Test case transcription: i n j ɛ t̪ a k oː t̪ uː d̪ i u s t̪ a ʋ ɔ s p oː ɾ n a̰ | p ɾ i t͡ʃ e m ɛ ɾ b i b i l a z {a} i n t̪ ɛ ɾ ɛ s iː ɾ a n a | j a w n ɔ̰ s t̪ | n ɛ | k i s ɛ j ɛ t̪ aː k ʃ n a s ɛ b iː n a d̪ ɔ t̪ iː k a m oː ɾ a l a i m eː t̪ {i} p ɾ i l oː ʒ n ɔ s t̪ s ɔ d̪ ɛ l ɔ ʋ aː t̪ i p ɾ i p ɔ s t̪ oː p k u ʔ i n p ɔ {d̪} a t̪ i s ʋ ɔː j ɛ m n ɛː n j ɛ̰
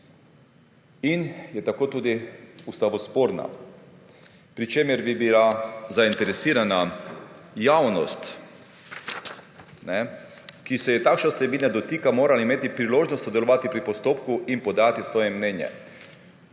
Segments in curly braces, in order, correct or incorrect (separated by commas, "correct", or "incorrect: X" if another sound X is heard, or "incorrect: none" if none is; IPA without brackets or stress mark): correct, correct, correct